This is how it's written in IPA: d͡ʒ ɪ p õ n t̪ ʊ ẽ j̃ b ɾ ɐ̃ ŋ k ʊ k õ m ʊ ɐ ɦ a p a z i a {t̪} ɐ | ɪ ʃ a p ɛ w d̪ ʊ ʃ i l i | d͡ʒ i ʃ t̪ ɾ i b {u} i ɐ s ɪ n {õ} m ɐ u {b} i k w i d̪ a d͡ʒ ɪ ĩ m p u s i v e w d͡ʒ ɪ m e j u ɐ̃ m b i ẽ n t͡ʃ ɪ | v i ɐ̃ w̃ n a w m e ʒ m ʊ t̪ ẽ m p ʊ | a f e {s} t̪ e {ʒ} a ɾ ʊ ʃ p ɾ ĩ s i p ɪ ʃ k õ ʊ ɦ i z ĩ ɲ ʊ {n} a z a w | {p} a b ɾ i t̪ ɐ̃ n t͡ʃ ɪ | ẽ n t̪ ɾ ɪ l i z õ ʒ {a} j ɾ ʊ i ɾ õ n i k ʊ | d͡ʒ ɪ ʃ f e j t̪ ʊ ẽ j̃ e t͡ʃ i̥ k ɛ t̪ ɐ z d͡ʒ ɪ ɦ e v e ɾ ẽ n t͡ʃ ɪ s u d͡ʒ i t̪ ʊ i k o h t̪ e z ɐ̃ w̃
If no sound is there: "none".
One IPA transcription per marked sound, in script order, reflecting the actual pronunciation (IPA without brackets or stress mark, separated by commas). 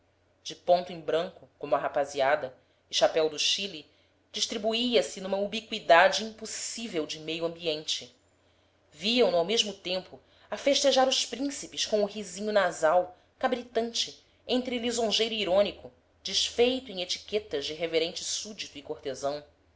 d̪, u, ũ, b, ʃ, ʒ, n, k, e